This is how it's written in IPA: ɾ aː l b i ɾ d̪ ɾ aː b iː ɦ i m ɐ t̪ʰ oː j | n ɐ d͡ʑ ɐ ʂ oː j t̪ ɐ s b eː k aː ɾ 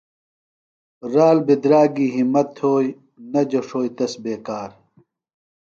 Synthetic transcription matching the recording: ɾ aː l b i d̪ ɾ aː ɡ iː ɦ i m ɐ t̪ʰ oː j | n ɐ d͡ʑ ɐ ʂ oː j t̪ ɐ s b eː k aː ɾ